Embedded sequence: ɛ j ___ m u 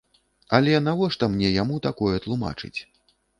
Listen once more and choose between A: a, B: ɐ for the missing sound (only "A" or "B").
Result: A